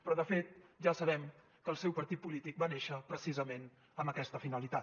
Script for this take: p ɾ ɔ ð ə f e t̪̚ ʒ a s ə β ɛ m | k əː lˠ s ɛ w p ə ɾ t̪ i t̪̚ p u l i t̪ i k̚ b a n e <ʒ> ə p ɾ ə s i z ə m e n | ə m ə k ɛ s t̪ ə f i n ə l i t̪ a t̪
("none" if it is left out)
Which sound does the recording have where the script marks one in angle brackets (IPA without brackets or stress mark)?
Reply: ʃ